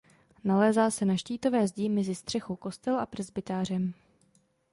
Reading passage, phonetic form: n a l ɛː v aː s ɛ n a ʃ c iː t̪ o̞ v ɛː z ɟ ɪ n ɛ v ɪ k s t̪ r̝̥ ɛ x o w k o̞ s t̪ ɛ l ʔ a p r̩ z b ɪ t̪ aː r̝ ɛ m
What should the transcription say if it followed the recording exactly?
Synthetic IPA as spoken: n a l ɛː z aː s ɛ n a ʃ c iː t̪ o̞ v ɛː z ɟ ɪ m ɛ z ɪ s t̪ r̝̥ ɛ x o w k o̞ s t̪ ɛ l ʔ a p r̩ z b ɪ t̪ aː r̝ ɛ m